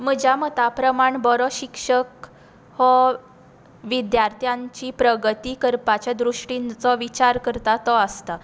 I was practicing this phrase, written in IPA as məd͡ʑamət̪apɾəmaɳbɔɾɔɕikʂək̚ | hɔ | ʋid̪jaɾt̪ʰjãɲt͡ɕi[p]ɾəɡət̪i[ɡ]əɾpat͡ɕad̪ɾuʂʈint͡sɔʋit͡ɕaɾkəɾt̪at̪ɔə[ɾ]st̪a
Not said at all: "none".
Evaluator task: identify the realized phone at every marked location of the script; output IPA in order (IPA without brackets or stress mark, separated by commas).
p, k, none